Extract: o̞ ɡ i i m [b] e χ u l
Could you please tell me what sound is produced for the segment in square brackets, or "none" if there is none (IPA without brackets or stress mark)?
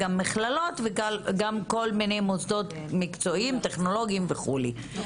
v